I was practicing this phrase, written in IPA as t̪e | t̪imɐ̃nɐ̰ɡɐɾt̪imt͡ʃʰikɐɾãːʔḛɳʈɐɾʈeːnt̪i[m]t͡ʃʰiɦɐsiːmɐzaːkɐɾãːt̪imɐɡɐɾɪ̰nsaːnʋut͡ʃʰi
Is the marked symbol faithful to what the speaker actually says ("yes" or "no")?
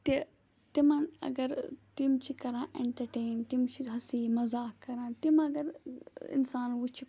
yes